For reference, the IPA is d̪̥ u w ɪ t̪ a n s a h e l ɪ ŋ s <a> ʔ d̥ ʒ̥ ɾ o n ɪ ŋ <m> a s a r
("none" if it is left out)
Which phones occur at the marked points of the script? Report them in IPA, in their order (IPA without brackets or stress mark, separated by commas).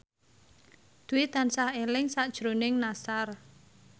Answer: a, n